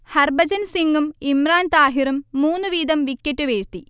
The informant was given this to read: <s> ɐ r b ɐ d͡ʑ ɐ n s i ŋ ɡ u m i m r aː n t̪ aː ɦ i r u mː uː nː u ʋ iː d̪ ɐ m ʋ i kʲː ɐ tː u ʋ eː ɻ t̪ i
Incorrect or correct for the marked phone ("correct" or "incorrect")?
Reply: incorrect